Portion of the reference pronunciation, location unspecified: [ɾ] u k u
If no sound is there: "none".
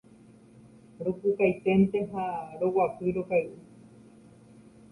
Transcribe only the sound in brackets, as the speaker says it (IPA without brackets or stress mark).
ɾ